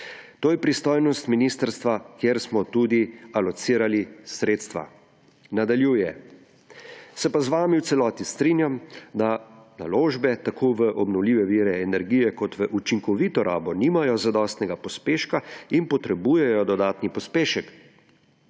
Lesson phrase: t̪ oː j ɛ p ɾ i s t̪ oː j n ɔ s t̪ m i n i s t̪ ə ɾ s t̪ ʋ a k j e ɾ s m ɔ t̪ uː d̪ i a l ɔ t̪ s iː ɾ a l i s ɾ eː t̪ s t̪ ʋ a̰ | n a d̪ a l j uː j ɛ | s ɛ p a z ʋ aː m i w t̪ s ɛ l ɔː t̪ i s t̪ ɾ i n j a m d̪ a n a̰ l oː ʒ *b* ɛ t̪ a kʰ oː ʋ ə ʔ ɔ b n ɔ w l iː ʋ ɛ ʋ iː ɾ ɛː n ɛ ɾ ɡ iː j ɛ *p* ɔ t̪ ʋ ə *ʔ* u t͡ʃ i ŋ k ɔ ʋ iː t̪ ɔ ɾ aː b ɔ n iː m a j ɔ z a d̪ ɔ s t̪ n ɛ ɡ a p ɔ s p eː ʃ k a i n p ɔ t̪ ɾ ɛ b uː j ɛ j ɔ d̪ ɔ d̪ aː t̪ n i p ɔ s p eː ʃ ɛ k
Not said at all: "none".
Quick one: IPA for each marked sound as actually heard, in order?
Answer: b, k, ʔ

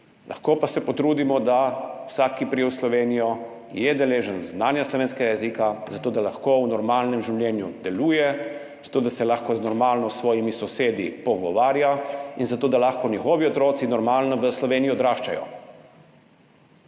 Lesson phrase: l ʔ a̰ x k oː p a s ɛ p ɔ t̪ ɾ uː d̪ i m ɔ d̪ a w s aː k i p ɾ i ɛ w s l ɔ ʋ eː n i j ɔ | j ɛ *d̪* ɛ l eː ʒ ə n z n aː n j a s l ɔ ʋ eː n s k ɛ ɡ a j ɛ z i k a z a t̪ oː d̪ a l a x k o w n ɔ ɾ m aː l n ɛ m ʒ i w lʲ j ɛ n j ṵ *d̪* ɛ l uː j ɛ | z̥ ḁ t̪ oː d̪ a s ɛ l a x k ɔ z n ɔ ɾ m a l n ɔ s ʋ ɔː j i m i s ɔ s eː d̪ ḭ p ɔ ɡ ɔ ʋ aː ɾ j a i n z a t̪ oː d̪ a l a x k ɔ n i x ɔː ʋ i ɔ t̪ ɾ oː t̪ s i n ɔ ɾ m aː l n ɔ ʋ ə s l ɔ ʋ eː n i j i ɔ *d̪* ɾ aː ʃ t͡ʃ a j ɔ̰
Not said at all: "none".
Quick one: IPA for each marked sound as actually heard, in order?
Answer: d̪, d̪, d̪

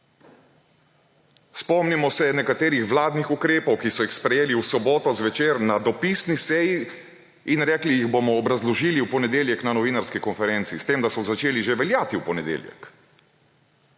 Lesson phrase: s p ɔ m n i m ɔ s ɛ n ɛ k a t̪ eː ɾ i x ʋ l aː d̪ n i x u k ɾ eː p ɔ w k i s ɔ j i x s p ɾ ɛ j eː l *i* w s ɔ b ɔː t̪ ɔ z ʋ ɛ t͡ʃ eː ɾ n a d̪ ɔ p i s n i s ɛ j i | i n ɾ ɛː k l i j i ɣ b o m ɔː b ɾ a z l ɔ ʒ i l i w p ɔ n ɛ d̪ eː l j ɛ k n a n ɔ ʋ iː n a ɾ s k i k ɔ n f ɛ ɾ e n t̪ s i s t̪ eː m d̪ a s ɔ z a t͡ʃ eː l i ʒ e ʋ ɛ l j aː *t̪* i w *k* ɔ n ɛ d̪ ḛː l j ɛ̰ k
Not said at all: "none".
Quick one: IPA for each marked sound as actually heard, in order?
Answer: i, t̪, p

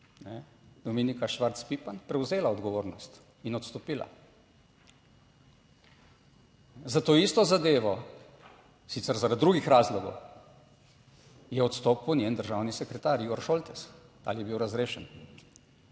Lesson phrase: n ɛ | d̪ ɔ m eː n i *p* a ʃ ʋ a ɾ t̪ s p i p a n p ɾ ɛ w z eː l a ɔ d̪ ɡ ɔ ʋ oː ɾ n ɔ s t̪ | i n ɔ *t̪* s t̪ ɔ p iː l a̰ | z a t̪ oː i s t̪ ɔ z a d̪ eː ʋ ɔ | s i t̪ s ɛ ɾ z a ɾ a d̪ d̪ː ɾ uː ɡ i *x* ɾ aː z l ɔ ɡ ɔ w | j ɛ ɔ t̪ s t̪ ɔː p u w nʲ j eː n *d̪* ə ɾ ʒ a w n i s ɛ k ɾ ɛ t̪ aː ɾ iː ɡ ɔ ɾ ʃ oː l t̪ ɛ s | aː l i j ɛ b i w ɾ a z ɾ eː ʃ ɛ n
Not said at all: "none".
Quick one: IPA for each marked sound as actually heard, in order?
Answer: k, t̪, x, d̪

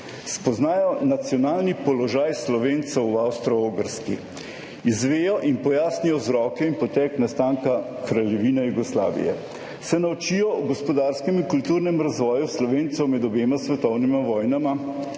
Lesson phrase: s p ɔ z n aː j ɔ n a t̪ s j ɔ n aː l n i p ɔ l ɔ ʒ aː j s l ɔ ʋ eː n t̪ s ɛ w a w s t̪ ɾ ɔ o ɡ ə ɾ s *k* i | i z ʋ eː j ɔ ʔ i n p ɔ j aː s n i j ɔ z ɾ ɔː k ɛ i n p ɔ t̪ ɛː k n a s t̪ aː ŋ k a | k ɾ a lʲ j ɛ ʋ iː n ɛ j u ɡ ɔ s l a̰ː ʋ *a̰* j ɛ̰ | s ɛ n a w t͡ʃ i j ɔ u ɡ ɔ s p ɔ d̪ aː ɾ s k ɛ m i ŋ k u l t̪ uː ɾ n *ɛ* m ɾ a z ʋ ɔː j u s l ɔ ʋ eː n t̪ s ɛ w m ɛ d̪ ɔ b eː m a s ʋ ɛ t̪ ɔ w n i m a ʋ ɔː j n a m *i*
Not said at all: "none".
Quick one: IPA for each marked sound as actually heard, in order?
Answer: k, ḭ, ɛ, a

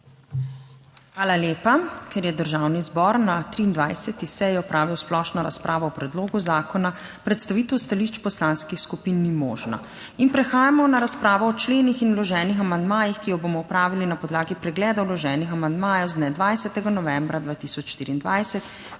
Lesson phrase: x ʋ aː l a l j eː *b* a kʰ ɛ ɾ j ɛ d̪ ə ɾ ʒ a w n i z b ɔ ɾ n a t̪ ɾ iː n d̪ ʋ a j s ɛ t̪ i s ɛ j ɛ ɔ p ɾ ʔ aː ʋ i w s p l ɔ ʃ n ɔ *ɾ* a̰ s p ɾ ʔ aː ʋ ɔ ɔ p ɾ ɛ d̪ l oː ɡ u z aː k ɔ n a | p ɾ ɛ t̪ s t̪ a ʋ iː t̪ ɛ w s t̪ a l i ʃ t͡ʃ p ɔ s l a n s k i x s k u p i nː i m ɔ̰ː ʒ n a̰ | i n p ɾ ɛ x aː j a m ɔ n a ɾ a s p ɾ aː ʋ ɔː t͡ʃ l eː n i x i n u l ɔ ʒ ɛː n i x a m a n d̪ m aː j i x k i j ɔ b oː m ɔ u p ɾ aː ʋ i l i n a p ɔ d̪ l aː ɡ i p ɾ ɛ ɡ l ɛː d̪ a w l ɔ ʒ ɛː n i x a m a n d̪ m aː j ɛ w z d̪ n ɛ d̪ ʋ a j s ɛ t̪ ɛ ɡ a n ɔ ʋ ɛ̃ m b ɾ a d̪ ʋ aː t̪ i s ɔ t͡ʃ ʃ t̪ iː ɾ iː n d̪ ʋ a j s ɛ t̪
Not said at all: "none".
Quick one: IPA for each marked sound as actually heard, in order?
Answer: p, ɾ

